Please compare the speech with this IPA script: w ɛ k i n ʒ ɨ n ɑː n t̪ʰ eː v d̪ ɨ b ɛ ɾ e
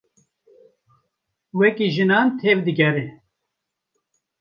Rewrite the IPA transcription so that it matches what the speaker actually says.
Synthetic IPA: w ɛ k i ʒ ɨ n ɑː n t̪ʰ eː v d̪ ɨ ɡ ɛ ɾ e